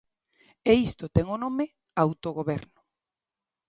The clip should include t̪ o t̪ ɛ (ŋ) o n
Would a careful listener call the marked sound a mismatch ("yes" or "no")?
no